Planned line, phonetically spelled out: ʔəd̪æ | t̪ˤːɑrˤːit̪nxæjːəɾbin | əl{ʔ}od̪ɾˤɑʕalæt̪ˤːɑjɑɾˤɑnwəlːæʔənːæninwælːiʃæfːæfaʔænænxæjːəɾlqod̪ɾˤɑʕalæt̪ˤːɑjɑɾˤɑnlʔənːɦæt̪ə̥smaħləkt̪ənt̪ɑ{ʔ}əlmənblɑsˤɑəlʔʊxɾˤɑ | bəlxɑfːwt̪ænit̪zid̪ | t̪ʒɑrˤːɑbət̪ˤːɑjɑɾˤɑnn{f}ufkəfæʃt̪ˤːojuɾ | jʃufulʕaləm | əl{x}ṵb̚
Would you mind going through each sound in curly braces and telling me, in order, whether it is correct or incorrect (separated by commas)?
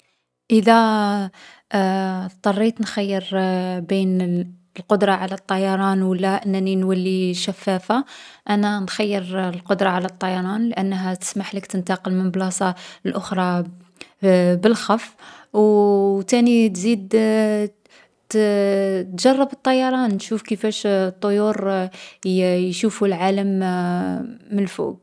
incorrect, incorrect, incorrect, incorrect